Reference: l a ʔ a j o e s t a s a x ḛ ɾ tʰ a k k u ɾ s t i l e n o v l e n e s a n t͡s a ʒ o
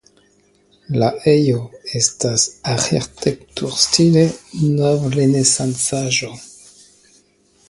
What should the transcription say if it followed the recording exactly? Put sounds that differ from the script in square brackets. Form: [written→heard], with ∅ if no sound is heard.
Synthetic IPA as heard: l a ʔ [a→e] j o e s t a s a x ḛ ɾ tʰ [a→e] k [k→t] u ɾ s t i l e n o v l e n e s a n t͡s a ʒ o

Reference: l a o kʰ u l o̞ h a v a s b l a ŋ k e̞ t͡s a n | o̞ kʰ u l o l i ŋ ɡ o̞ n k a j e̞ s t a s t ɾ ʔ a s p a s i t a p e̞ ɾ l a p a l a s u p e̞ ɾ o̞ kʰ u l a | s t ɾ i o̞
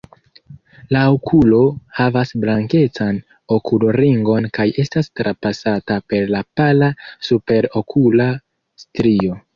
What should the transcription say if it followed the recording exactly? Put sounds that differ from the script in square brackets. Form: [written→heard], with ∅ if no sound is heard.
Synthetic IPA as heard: l a o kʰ u l o̞ h a v a s b l a ŋ k e̞ t͡s a n | o̞ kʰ u l o [l→ɾ] i ŋ ɡ o̞ n k a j e̞ s t a s t ɾ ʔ a [s→∅] p a s [i→a] t a p e̞ ɾ l a p a l a s u p e̞ ɾ o̞ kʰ u l a | s t ɾ i o̞

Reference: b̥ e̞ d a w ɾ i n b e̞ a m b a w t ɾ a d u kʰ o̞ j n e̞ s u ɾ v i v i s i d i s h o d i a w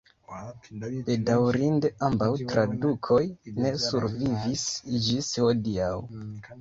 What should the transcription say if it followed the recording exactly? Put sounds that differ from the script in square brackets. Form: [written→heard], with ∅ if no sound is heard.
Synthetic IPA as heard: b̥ e̞ d a w ɾ i n [b→d] e̞ a m b a w t ɾ a d u kʰ o̞ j n e̞ s u ɾ v i v i s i [d→d͡ʒ] i s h o d i a w

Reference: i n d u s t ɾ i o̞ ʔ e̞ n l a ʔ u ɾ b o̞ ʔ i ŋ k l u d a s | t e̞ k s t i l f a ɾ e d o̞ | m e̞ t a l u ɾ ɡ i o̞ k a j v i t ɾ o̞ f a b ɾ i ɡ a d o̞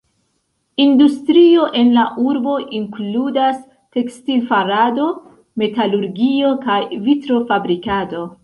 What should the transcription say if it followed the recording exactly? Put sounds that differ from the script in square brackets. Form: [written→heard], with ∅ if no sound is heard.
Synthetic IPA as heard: i n d u s t ɾ i o̞ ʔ e̞ n l a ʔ u ɾ b o̞ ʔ i ŋ k l u d a s | t e̞ k s t i l f a ɾ [e→a] d o̞ | m e̞ t a l u ɾ ɡ i o̞ k a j v i t ɾ o̞ f a b ɾ i [ɡ→k] a d o̞

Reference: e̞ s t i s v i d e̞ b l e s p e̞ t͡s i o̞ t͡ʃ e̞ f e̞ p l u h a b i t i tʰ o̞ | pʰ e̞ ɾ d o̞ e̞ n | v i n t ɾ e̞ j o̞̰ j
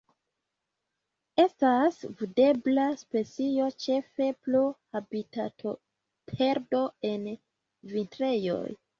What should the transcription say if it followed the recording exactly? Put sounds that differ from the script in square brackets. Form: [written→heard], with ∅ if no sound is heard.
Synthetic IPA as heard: e̞ s t [i→a] s v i d e̞ b l [e→a] s p e̞ t͡s i o̞ t͡ʃ e̞ f e̞ p l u h a b i t [i→a] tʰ o̞ | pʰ e̞ ɾ d o̞ e̞ n | v i n t ɾ e̞ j o̞̰ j

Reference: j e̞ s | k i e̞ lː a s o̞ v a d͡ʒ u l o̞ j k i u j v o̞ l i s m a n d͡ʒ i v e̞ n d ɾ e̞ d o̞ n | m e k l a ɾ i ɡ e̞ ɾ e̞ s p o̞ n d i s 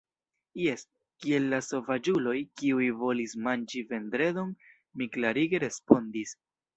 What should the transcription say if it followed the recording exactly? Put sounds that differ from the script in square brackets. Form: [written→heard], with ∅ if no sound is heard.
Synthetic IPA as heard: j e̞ s | k i e̞ lː a s o̞ v a d͡ʒ u l o̞ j k i u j v o̞ l i s m a n d͡ʒ i v e̞ n d ɾ e̞ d o̞ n | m [e→i] k l a ɾ i ɡ e̞ ɾ e̞ s p o̞ n d i s

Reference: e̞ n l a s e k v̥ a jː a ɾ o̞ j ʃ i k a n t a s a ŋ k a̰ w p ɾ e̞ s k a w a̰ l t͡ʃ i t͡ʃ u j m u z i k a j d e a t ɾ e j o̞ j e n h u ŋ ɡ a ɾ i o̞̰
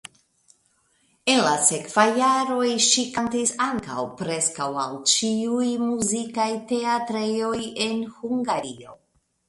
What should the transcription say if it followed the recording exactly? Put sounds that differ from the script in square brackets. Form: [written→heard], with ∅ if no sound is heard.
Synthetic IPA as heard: e̞ n l a s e k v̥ a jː a ɾ o̞ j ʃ i k a n t [a→i] s a ŋ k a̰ w p ɾ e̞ s k a w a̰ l t͡ʃ i [t͡ʃ→∅] u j m u z i k a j [d→t] e a t ɾ e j o̞ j e n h u ŋ ɡ a ɾ i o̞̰

